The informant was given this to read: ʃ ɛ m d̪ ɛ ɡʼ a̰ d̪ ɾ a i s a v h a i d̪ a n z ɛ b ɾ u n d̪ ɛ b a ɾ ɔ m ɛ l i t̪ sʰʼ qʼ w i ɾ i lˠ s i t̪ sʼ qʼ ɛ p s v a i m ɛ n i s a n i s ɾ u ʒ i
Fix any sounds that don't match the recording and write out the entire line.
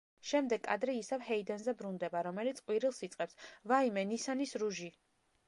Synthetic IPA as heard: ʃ ɛ m d̪ ɛ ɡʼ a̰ d̪ ɾ ɛ i s a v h ɛ i d̪ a n z ɛ b ɾ u n d̪ ɛ b a ɾ ɔ m ɛ l i t̪ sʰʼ qʼ w i ɾ i lˠ s i t̪ sʼ qʼ ɛ p s v a i m ɛ n i s a n i s ɾ u ʒ i